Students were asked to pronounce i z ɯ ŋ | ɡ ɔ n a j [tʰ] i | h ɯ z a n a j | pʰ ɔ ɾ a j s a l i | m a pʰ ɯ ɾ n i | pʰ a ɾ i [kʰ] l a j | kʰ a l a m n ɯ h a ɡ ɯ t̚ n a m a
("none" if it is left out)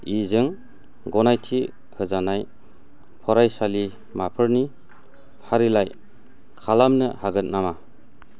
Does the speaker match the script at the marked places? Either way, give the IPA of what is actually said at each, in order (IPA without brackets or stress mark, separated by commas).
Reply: tʰ, none